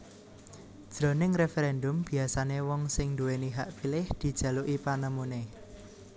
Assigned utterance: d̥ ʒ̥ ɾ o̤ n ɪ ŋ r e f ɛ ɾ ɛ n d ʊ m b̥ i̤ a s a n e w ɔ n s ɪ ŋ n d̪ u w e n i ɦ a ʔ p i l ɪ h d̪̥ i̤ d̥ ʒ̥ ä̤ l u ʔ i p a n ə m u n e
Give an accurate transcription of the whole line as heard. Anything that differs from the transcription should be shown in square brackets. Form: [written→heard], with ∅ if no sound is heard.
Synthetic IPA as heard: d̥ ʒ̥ ɾ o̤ n ɪ ŋ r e f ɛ ɾ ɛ n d ʊ m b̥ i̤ a s a n e w ɔ [n→ŋ] s ɪ ŋ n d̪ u w e n i ɦ a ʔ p i l ɪ h d̪̥ i̤ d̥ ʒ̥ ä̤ l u ʔ i p a n ə m u n e